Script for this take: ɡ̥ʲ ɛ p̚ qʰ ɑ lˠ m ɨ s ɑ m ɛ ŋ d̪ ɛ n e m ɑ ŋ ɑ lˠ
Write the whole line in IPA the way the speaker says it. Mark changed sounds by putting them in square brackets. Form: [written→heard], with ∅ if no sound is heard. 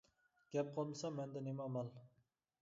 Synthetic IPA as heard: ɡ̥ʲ ɛ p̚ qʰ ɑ lˠ m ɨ s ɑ m ɛ [ŋ→n] d̪ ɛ n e m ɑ [ŋ→m] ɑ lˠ